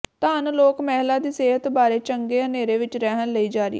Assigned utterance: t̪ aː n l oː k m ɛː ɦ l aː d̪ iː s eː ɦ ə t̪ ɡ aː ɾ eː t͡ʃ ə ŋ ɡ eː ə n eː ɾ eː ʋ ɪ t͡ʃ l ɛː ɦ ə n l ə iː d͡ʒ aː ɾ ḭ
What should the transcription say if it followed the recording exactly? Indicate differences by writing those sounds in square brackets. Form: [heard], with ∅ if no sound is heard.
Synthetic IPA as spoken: t̪ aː n l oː k m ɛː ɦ l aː d̪ iː s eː ɦ ə t̪ [b] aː ɾ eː t͡ʃ ə ŋ ɡ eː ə n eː ɾ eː ʋ ɪ t͡ʃ [ɾ] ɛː ɦ ə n l ə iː d͡ʒ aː ɾ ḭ